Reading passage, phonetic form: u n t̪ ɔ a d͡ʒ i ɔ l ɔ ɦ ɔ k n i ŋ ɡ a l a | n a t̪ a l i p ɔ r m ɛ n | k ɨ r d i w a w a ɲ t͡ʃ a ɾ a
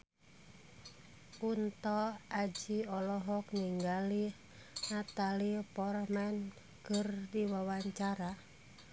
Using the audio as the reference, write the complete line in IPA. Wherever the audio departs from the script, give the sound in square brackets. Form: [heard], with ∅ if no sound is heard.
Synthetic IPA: u n t̪ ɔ a d͡ʒ i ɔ l ɔ ɦ ɔ k n i ŋ ɡ a l [i] | n a t̪ a l i p ɔ r m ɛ n | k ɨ r d i w a w a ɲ t͡ʃ a ɾ a